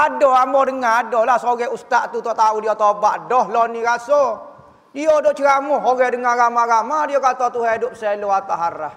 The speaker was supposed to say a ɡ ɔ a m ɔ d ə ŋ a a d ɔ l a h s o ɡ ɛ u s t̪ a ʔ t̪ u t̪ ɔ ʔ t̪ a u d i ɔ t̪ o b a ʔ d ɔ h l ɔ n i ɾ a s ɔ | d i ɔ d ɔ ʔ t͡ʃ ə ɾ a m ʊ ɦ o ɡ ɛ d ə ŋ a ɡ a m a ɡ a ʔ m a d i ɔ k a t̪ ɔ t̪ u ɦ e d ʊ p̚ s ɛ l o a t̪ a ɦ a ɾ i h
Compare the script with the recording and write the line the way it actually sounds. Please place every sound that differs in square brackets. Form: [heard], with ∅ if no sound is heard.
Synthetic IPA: a [d] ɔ a m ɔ d ə ŋ a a d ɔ l a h s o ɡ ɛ u s t̪ a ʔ t̪ u t̪ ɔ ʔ t̪ a u d i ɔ t̪ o b a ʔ d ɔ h l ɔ n i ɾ a s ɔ | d i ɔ d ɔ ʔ t͡ʃ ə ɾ a m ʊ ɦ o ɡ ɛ d ə ŋ a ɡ a m a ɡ a [∅] m a d i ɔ k a t̪ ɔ t̪ u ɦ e d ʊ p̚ s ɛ l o a t̪ a ɦ a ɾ [a] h